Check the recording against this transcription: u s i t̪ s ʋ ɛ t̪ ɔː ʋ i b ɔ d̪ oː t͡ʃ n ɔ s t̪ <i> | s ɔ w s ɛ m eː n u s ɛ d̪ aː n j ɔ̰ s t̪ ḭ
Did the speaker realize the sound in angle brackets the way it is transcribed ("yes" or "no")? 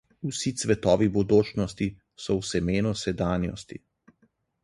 yes